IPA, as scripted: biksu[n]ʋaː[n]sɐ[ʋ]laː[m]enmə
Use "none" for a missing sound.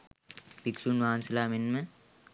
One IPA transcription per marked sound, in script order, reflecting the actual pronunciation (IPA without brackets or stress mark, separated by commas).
n, n, none, m